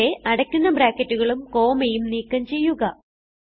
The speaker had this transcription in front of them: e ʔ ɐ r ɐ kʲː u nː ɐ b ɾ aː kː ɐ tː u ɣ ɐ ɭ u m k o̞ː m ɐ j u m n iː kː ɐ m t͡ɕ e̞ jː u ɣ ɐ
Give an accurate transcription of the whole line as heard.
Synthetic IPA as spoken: e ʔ ɐ ɽ ɐ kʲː u nː ɐ b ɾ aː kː ɐ tː u ɣ ɐ ɭ u m k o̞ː m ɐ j u m n iː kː ɐ m t͡ɕ e̞ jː u ɣ ɐ